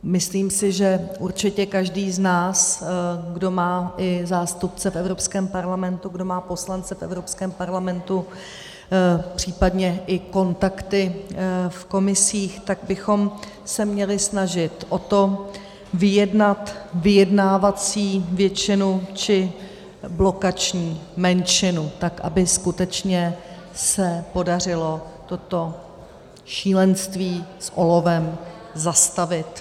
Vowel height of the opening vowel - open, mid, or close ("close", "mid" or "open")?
close